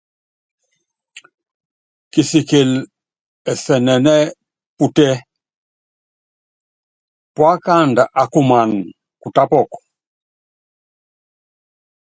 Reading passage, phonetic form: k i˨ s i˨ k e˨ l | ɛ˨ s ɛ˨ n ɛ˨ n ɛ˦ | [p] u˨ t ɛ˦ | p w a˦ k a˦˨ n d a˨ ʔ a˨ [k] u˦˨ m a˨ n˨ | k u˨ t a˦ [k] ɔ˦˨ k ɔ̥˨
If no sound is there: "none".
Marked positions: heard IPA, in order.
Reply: p, k, p

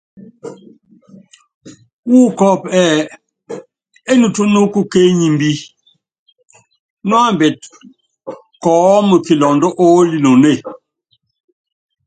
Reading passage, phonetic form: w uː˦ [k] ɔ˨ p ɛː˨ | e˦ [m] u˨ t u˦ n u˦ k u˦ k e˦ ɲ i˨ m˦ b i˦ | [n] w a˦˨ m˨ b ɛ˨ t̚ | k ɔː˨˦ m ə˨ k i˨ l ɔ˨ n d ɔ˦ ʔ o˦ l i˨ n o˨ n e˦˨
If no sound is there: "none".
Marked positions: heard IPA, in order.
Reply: k, n, n

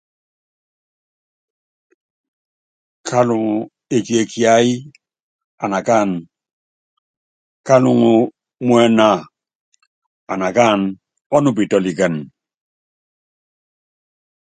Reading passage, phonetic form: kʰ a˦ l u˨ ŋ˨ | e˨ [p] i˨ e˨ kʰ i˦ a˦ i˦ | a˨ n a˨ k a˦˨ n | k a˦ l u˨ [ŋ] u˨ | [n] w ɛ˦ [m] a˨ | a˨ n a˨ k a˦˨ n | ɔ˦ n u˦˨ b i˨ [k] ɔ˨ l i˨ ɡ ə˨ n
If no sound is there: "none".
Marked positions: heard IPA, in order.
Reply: k, ŋ, m, n, t

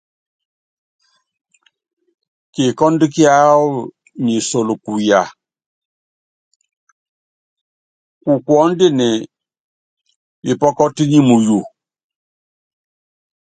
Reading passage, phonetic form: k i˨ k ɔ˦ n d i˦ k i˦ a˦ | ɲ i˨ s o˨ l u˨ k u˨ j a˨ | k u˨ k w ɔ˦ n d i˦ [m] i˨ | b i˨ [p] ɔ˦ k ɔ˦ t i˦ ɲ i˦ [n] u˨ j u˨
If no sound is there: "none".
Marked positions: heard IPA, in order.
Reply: n, p, m

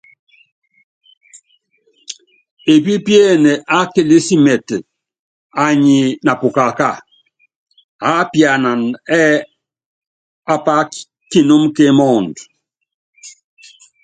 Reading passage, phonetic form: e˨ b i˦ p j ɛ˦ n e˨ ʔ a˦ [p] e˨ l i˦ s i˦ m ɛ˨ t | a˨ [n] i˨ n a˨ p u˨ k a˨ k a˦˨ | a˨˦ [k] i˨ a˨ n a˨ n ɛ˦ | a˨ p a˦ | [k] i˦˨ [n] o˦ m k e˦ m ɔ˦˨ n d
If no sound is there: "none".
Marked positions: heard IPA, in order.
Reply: k, ɲ, p, k, n

